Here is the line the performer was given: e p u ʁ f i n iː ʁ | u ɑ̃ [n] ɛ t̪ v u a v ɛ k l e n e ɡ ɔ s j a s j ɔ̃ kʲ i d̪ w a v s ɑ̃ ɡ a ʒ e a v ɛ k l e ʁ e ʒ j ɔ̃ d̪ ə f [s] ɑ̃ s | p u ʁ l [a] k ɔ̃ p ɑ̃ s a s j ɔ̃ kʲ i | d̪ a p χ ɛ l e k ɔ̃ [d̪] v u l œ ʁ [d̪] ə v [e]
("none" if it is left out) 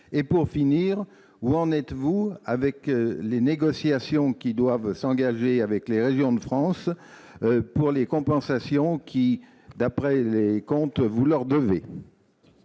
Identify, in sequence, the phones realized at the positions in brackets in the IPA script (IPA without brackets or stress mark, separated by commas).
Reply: n, χ, e, t̪, d̪, e